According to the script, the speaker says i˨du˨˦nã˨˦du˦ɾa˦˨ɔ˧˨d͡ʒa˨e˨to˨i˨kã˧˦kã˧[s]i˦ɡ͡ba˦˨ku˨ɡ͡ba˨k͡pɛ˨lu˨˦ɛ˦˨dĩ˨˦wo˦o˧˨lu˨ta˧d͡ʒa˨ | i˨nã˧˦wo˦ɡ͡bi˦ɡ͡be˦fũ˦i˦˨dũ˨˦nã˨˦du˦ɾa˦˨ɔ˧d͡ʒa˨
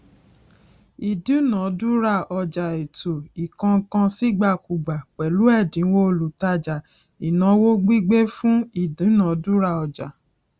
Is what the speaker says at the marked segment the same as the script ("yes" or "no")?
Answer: yes